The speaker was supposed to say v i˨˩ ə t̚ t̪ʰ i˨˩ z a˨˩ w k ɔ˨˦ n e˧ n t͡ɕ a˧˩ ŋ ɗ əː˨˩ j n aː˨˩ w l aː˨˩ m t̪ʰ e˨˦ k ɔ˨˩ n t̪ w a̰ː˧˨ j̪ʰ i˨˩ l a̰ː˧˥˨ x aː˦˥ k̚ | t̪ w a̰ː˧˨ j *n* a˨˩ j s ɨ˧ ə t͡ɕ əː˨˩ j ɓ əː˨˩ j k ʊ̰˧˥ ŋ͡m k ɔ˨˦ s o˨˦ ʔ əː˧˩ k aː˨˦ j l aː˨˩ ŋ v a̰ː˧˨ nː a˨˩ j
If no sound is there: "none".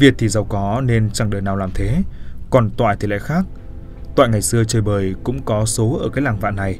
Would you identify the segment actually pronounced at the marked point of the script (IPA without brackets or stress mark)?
ŋ